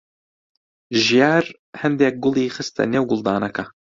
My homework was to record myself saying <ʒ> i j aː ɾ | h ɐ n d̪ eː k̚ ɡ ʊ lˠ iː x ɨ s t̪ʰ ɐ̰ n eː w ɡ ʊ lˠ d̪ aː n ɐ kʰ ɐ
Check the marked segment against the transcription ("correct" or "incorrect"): correct